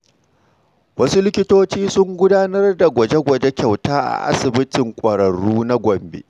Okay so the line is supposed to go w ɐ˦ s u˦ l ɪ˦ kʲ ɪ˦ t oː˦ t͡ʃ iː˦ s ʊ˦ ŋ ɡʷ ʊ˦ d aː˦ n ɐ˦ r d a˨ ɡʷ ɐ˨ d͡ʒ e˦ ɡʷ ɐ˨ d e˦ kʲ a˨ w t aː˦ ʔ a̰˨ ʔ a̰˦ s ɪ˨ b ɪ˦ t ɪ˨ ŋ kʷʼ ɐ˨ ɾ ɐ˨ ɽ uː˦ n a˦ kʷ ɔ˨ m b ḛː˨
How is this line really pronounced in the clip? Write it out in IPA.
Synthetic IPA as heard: w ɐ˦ s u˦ l ɪ˦ kʲ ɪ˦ t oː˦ t͡ʃ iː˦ s ʊ˦ ŋ ɡʷ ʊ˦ d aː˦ n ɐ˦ r d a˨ ɡʷ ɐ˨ d͡ʒ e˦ ɡʷ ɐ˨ d͡ʒ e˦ kʲ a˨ w t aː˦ ʔ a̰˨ ʔ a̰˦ s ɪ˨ b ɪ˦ t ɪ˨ ŋ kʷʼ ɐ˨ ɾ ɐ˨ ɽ uː˦ n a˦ ɡʷ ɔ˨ m b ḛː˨